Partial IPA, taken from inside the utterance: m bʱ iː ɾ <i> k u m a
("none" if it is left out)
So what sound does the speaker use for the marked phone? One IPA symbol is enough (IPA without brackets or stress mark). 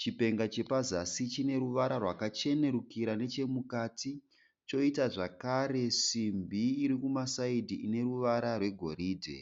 i